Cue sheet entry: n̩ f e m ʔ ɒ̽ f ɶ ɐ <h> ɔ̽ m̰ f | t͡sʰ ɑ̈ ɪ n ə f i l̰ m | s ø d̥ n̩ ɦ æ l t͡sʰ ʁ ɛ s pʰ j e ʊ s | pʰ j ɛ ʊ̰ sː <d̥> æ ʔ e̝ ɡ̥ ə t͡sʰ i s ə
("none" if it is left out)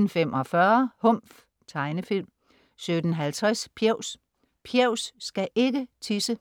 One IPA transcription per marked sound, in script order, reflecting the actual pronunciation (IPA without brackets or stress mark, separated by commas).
h, ɡ̥